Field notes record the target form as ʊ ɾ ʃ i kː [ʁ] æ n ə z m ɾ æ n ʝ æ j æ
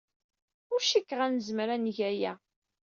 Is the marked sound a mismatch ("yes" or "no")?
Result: no